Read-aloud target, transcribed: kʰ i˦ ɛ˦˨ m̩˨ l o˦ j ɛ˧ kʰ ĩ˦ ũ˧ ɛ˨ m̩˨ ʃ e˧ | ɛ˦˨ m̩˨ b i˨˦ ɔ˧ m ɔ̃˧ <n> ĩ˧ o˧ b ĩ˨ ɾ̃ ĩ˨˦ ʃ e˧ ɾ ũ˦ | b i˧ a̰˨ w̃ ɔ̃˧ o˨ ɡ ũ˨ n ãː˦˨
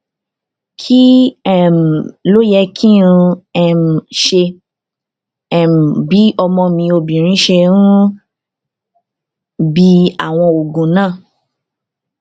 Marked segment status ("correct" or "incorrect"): incorrect